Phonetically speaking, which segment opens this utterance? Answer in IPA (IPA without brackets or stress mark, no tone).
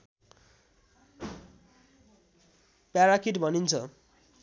p